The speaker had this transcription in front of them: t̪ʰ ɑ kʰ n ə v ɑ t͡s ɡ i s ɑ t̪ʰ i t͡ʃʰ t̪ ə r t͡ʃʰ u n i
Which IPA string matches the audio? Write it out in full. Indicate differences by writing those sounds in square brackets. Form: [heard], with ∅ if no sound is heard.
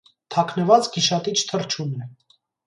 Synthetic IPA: t̪ʰ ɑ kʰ n ə v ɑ t͡s ɡ i [ʃ] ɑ [t̪] i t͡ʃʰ [t̪ʰ] ə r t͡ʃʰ u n [ɛ]